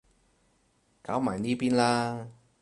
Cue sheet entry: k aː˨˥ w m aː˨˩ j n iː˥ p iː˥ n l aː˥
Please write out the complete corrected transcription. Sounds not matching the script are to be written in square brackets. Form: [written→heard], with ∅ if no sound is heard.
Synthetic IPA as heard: k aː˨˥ w m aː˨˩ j n iː˥ p iː˥ n l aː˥

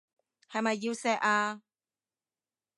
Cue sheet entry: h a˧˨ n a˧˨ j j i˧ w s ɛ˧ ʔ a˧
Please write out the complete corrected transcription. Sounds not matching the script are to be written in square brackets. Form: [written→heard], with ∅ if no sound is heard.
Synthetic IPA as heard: h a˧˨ [n→m] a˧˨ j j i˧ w s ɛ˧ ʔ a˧

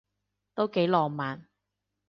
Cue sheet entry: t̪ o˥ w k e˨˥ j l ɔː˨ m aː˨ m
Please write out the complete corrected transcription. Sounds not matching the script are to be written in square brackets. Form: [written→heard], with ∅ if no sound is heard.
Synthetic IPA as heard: t̪ o˥ w k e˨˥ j l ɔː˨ m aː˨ [m→n]

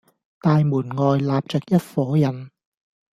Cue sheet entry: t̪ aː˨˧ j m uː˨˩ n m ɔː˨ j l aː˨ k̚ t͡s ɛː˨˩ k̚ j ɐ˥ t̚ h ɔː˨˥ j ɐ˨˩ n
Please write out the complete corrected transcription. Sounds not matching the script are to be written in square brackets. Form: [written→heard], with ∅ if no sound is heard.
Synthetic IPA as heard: t̪ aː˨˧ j m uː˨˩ n [m→ŋ] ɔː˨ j l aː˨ [k̚→p̚] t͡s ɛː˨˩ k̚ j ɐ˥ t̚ [h→f] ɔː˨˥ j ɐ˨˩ n

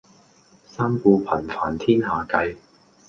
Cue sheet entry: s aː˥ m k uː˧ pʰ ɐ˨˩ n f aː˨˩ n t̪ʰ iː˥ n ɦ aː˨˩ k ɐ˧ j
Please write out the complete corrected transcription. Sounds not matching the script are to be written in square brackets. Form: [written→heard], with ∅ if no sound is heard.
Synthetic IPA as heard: s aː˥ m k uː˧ pʰ ɐ˨˩ n f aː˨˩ n t̪ʰ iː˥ n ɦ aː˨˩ k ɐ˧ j

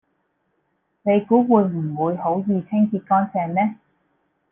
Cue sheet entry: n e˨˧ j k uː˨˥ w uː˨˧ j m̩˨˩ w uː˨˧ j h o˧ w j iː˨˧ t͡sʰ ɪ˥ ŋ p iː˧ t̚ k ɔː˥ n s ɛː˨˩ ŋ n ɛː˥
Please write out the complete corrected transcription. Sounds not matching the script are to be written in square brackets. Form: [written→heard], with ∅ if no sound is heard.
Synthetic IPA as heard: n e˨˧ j k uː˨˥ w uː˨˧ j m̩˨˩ w uː˨˧ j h [o˧→o˨˥] w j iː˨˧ t͡sʰ ɪ˥ ŋ [p→k] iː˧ t̚ k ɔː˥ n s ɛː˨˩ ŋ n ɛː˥

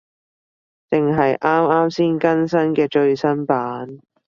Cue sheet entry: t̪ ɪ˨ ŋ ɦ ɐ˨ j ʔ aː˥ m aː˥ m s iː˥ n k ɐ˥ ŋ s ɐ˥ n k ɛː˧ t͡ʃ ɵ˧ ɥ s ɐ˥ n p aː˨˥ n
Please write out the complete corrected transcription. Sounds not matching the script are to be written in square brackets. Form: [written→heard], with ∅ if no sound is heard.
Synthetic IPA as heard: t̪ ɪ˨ ŋ ɦ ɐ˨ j ʔ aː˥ m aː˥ m s iː˥ n k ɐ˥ [ŋ→n] s ɐ˥ n k ɛː˧ t͡ʃ ɵ˧ ɥ s ɐ˥ n p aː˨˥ n

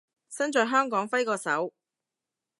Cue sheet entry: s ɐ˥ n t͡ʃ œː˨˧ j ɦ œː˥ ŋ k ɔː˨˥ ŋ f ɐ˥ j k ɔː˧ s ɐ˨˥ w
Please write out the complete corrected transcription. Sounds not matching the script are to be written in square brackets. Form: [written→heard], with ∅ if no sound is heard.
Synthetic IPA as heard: s ɐ˥ n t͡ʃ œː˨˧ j ɦ œː˥ ŋ k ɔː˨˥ ŋ f ɐ˥ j k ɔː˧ s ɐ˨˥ w

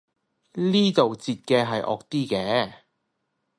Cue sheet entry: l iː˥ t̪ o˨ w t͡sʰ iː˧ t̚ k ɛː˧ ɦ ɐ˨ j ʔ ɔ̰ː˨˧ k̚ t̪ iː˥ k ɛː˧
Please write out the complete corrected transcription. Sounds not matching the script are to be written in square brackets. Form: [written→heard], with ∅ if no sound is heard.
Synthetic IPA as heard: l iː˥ t̪ o˨ w [t͡sʰ→t͡s] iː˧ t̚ k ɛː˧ ɦ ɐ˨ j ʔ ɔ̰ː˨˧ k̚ t̪ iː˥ k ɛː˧

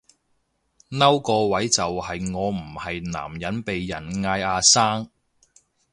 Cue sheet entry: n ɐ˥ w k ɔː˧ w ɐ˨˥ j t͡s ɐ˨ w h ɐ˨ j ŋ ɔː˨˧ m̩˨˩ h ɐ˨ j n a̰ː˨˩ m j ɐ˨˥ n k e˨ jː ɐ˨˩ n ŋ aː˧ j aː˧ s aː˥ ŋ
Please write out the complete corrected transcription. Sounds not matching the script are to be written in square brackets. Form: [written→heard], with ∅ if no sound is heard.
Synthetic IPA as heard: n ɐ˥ w k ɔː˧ w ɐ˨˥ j t͡s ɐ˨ w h ɐ˨ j ŋ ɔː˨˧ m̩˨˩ h ɐ˨ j n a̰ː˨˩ m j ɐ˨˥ n [k→p] e˨ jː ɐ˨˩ n ŋ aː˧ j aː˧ s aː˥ ŋ

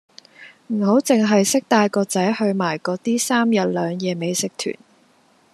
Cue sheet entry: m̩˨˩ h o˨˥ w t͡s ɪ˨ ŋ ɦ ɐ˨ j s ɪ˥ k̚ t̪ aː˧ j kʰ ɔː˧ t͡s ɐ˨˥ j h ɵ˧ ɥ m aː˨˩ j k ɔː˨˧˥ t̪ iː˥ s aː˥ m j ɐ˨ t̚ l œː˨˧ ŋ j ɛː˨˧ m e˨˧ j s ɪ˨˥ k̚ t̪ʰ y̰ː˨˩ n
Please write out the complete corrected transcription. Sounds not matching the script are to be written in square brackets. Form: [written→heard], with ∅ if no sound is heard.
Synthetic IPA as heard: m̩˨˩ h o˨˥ w t͡s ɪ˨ ŋ ɦ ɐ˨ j s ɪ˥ k̚ t̪ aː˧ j [kʰ→k] ɔː˧ t͡s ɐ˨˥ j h ɵ˧ ɥ m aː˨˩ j k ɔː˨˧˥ t̪ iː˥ s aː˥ m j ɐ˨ t̚ l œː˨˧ ŋ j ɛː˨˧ m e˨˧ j s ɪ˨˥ k̚ t̪ʰ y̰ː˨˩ n

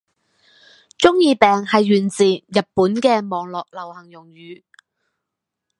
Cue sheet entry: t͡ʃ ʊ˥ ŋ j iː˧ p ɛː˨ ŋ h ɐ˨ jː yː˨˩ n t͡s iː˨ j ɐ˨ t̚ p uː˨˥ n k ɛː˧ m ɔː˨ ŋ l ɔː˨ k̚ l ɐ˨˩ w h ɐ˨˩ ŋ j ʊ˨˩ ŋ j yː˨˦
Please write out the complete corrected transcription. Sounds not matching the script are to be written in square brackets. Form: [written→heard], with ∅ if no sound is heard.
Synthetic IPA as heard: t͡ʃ ʊ˥ ŋ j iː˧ p ɛː˨ ŋ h ɐ˨ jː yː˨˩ n t͡s iː˨ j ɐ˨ t̚ p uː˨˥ n k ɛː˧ m ɔː˨ ŋ l ɔː˨ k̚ l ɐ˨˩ w h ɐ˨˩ ŋ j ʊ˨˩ ŋ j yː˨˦

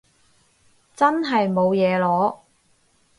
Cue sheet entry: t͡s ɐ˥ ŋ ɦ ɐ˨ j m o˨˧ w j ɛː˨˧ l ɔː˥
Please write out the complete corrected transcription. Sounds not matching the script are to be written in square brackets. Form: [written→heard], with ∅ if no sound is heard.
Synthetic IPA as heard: t͡s ɐ˥ [ŋ→n] ɦ ɐ˨ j m o˨˧ w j ɛː˨˧ l [ɔː˥→ɔː˨˥]

